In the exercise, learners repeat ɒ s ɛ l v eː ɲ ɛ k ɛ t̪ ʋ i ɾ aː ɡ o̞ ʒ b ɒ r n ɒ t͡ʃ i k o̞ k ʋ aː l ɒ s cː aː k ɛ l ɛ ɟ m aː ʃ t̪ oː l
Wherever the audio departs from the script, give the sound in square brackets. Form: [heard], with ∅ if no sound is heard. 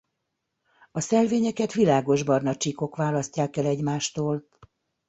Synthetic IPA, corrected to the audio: ɒ s ɛ l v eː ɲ ɛ k ɛ t̪ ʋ i [l] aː ɡ o̞ ʒ b ɒ r n ɒ t͡ʃ i k o̞ k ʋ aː l ɒ s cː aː k ɛ l ɛ ɟ m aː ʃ t̪ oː l

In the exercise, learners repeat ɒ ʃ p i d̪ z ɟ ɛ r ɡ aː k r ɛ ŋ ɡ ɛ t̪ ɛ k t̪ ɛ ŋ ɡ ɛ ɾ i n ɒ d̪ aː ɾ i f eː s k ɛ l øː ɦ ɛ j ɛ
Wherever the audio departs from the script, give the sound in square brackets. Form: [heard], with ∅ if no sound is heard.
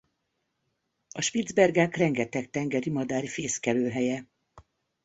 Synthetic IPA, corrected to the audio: ɒ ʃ p i d̪ z [b] ɛ r ɡ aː k r ɛ ŋ ɡ ɛ t̪ ɛ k t̪ ɛ ŋ ɡ ɛ ɾ i [m] ɒ d̪ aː ɾ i f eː s k ɛ l øː ɦ ɛ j ɛ

